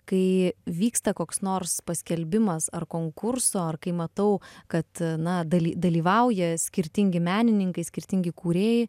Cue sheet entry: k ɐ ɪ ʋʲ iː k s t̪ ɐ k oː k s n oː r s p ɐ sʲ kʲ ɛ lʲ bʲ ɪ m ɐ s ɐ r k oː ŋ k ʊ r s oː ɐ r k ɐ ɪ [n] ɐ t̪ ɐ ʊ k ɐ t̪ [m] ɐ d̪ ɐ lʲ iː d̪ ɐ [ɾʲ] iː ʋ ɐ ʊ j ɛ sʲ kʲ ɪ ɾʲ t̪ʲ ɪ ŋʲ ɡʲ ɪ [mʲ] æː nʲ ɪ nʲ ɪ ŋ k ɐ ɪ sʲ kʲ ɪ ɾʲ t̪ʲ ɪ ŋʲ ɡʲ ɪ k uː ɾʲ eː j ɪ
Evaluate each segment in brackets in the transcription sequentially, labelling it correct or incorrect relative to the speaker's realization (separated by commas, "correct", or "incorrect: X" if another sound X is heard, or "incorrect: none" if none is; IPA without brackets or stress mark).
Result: incorrect: m, incorrect: n, incorrect: lʲ, correct